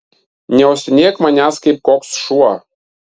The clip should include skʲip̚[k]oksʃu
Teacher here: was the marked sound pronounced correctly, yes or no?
yes